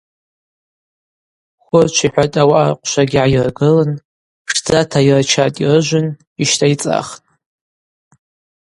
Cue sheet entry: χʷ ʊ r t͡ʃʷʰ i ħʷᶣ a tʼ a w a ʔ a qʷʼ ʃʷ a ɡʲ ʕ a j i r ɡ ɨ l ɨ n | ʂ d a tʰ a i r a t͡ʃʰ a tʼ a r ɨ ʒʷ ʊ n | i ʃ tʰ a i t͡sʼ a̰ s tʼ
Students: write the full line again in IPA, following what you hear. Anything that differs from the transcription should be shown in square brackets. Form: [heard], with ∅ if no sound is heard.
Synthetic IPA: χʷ ʊ r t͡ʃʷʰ i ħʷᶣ a tʼ a w a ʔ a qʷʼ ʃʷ a ɡʲ ʕ a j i r ɡ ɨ l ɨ n | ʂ [d͡z] a tʰ a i r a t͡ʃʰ a tʼ [i] r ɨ ʒʷ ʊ n | i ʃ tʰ a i t͡sʼ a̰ [χ] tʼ